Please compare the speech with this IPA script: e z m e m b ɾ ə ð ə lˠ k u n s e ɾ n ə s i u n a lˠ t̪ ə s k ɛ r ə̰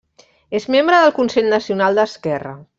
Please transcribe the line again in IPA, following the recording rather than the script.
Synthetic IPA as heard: e z m e m b ɾ ə ð ə lˠ k u n s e ʎ n ə s i u n a lˠ d̪ ə s k ɛ r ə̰